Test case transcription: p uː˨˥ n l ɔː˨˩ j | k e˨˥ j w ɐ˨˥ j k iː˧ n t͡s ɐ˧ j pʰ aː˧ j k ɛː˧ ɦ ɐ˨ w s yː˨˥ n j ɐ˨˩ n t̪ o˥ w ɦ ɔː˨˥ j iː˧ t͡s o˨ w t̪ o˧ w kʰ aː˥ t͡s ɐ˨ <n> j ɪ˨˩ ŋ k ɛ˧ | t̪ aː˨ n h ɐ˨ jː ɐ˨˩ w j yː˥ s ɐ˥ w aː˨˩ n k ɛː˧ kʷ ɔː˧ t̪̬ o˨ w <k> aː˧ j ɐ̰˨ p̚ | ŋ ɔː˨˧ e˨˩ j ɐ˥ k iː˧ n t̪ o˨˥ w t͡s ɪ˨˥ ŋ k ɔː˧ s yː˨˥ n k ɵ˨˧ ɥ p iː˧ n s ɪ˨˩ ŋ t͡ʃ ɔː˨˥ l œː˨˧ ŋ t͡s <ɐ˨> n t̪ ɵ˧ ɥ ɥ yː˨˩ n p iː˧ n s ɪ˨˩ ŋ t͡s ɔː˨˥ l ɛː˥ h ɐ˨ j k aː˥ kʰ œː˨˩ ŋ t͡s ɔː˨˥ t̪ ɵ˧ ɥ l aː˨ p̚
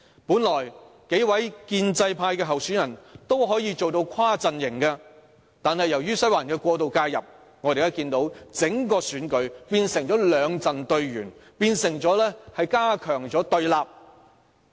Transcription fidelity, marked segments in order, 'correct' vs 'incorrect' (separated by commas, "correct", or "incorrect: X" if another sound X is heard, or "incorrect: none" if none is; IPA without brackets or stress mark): correct, correct, correct